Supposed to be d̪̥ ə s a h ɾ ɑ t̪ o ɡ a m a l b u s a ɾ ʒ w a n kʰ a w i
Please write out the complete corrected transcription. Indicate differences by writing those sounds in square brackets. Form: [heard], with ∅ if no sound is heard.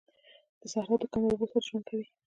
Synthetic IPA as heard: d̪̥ ə s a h ɾ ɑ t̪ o [k] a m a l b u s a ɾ ʒ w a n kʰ a w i